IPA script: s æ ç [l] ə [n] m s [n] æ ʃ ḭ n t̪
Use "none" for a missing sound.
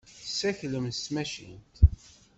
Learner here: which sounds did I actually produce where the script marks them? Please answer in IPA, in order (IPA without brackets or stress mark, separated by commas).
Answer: l, none, m